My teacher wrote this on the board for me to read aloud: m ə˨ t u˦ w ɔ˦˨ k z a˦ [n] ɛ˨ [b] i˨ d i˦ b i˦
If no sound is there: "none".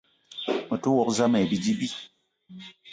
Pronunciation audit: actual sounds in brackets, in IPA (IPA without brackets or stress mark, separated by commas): m, b